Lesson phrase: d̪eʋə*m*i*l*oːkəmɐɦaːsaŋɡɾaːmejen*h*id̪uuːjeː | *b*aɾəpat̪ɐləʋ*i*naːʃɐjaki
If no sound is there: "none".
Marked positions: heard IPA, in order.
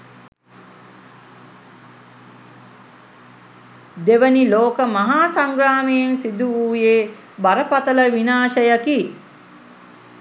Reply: n, l, s, b, i

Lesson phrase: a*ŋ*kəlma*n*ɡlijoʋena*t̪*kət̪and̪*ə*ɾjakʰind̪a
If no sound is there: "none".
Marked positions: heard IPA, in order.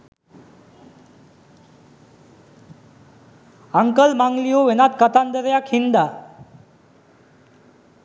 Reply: ŋ, ŋ, t̪, ə

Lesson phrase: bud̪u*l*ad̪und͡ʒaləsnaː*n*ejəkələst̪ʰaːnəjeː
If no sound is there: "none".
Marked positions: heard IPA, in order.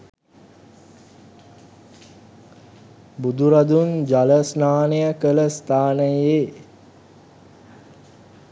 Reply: ɾ, n

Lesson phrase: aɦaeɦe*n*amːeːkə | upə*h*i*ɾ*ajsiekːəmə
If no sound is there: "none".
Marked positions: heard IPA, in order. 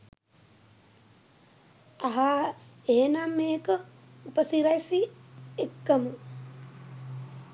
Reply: n, s, ɾ

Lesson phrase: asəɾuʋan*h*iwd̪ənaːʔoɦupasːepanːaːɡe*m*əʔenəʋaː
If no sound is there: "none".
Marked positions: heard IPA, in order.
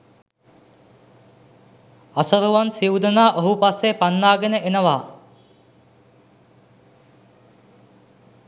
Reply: s, n

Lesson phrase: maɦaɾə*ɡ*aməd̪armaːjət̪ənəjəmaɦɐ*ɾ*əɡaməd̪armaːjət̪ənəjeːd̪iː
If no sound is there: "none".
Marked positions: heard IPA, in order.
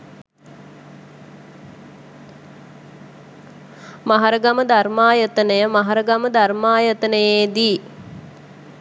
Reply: ɡ, ɾ

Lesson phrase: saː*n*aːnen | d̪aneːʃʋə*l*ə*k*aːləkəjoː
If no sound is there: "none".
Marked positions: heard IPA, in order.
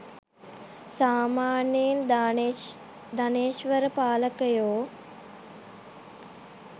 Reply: m, ɾ, p

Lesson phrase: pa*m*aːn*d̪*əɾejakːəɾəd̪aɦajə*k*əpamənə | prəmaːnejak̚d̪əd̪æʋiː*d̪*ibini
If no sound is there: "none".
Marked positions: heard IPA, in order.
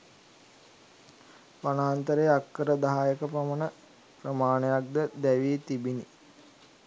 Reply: n, t̪, k, t̪

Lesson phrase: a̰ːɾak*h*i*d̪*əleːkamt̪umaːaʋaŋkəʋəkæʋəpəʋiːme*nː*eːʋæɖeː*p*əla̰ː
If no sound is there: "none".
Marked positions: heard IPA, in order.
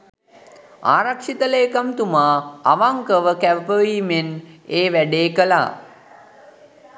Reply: ʂ, t̪, n, k

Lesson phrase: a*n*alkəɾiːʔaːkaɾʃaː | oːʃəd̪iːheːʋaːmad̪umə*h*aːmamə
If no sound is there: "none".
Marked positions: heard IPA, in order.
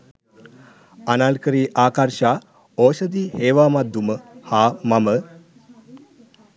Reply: n, h

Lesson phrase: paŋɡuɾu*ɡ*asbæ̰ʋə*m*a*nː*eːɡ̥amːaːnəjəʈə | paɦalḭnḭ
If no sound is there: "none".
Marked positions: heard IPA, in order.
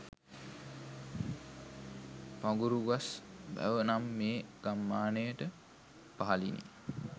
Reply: ɡ, n, mː

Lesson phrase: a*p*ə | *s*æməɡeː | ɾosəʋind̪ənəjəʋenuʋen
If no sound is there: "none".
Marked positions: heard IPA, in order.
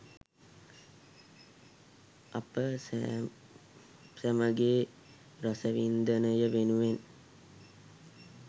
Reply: p, s

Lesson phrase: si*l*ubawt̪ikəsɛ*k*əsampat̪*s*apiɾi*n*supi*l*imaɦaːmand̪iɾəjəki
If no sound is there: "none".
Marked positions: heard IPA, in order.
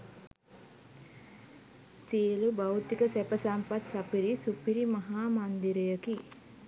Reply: l, p, s, none, ɾ

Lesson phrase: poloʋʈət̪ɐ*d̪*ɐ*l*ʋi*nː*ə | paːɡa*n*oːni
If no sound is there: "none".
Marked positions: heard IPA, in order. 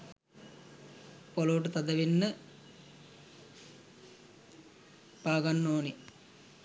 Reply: d̪, none, nː, nː

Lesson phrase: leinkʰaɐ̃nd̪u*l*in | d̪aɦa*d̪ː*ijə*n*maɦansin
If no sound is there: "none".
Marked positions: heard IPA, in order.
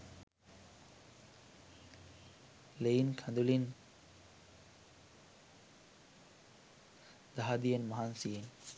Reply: l, d̪, n

